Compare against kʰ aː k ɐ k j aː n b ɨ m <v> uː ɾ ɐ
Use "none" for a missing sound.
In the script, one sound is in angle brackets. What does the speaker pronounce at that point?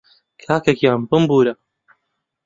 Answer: b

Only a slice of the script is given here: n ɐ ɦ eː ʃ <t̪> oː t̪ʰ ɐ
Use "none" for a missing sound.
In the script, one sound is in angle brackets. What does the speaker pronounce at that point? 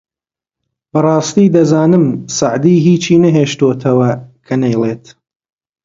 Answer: t̪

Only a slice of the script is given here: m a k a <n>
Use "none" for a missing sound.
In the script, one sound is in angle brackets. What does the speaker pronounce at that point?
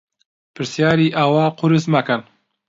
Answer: n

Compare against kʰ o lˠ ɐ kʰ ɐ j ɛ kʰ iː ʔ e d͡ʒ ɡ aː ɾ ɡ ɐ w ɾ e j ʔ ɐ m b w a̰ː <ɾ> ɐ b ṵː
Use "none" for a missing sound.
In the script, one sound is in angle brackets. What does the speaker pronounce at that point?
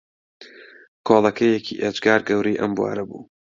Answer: ɾ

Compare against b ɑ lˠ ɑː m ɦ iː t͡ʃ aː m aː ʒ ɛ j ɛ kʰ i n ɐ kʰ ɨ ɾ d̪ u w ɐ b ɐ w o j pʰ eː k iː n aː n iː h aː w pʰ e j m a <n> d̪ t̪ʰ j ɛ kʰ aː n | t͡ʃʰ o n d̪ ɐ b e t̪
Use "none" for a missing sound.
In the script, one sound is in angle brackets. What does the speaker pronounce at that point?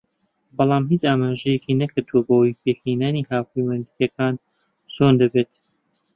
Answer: n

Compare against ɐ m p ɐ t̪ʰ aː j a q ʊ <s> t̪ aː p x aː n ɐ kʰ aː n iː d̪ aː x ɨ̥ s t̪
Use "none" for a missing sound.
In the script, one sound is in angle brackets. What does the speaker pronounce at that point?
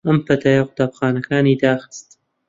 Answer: none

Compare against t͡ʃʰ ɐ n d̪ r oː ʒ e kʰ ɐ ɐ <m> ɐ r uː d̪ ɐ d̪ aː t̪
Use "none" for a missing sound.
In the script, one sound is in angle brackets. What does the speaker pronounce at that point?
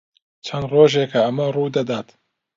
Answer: m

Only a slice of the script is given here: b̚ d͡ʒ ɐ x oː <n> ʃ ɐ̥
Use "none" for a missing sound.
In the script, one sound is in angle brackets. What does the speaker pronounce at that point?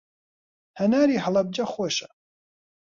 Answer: none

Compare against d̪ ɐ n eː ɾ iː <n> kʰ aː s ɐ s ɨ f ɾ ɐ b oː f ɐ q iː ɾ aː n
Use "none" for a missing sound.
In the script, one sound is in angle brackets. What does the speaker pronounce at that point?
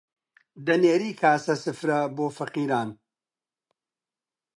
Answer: none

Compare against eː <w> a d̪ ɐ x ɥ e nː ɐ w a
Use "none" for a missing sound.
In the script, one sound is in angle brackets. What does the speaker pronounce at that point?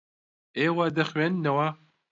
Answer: w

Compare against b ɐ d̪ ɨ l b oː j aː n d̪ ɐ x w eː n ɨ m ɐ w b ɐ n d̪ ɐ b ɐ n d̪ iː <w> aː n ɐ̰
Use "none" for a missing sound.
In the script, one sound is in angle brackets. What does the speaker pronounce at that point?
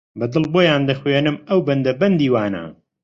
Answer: w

